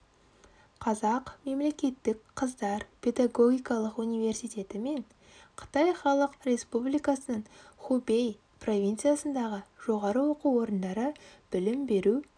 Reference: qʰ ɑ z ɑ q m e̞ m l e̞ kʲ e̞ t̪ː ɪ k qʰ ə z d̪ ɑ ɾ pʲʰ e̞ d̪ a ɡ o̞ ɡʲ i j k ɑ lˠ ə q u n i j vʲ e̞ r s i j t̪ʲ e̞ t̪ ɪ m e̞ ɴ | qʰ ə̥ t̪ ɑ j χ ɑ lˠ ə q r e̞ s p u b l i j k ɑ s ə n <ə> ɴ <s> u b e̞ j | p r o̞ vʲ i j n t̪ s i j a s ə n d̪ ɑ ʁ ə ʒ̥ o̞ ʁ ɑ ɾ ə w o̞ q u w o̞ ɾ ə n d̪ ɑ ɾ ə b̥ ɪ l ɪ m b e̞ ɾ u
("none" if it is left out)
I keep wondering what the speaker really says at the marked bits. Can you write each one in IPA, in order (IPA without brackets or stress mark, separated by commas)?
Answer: ə, χ